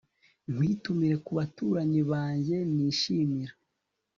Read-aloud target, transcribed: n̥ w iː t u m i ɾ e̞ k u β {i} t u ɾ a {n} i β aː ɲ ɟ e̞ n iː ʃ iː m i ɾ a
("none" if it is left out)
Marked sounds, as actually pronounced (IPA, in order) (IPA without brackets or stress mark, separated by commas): a, ɲ